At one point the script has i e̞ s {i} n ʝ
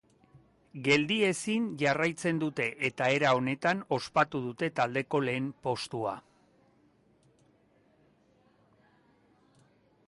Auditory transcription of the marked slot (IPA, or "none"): i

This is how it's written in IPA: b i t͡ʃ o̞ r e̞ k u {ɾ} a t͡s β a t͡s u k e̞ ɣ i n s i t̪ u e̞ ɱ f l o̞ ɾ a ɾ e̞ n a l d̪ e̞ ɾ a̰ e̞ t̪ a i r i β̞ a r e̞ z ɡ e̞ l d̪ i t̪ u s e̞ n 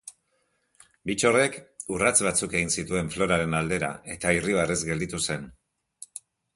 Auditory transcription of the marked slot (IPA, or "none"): r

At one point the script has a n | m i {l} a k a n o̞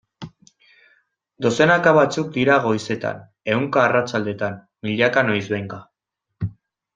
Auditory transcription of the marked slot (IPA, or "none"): ʎ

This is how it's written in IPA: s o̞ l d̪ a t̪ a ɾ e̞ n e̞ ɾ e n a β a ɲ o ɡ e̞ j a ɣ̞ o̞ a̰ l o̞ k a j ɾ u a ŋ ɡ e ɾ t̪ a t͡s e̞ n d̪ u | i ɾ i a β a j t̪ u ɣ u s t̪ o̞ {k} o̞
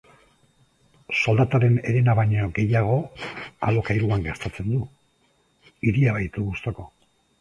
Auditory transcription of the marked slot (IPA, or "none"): k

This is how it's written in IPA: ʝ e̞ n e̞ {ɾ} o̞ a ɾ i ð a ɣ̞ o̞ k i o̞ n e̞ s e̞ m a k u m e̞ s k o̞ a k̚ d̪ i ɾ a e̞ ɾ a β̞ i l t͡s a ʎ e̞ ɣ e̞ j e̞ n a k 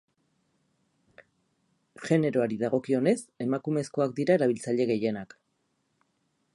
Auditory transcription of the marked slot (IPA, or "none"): ɾ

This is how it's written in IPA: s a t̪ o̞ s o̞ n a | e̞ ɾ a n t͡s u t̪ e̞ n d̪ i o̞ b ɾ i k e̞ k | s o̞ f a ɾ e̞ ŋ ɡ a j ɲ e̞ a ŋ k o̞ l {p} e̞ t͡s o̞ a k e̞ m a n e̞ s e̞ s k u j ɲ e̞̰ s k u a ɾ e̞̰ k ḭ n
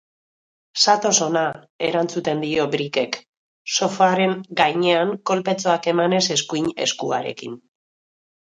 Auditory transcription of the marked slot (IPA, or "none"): p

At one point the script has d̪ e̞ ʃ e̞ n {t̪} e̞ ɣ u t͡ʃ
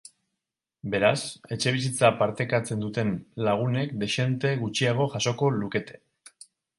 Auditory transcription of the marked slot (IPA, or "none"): t̪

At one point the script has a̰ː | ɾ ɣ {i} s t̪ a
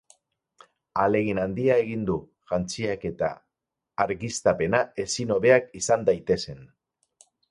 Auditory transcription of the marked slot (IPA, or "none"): i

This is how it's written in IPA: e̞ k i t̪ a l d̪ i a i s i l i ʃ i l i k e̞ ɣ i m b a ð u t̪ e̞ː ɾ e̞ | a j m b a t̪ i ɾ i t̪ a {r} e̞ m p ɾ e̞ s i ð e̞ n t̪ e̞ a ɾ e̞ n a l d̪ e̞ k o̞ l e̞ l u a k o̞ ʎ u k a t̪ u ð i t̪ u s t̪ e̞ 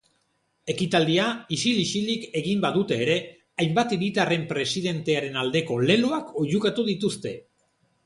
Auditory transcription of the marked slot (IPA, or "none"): r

